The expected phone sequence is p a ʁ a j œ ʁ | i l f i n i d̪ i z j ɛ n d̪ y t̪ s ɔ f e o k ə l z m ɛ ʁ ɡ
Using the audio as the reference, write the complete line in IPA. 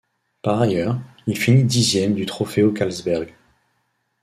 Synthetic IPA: p a ʁ a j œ ʁ | i l f i n i d̪ i z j ɛ m d̪ y t̪ χ ɔ f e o k a l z b ɛ ʁ ɡ